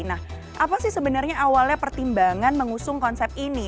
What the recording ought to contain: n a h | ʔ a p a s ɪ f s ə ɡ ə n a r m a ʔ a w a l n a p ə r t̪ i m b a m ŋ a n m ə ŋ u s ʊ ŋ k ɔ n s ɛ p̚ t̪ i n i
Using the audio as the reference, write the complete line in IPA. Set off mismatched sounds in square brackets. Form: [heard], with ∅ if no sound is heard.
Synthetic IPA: n a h | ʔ a p a s ɪ [h] s ə [b] ə n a r [ɲ] a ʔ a w a l [ɲ] a p ə r t̪ i m b a [∅] ŋ a n m ə ŋ u s ʊ ŋ k ɔ n s ɛ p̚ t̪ i n i